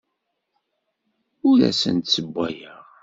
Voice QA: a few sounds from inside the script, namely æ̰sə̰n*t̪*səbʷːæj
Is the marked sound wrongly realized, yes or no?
no